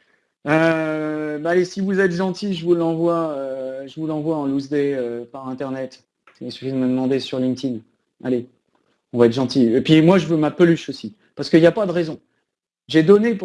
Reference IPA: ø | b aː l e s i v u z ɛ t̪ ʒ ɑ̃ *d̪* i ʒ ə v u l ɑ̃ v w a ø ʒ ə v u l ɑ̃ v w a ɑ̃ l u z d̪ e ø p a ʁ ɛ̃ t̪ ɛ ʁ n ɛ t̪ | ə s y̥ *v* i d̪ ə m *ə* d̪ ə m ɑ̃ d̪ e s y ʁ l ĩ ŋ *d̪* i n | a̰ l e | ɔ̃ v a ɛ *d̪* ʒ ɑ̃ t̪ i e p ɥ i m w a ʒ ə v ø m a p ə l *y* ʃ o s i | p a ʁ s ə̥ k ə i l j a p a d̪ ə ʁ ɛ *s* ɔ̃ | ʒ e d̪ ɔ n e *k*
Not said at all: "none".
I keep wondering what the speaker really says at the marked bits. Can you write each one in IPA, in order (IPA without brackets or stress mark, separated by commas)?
t̪, f, ə, t̪, t̪, y, z, p